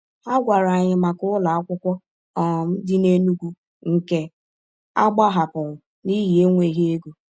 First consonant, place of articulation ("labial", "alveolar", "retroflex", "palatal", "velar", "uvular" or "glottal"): velar